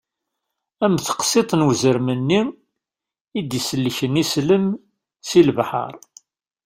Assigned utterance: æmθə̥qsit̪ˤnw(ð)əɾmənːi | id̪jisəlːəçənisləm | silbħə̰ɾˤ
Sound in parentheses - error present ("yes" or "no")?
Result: yes